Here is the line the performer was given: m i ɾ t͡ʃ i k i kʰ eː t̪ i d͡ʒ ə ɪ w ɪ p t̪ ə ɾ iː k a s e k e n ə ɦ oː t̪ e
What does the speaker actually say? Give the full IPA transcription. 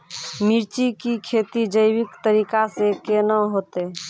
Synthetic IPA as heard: m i ɾ t͡ʃ i k i kʰ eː t̪ i d͡ʒ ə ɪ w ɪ k t̪ ə ɾ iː k a s e k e n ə ɦ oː t̪ e